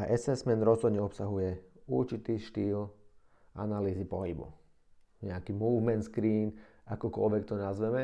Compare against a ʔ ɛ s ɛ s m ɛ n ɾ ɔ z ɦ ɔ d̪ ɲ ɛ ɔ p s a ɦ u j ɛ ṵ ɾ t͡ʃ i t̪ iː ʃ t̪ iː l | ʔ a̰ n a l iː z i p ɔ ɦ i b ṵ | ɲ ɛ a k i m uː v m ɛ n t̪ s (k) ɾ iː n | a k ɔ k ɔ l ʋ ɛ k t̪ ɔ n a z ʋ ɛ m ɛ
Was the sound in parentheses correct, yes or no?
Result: yes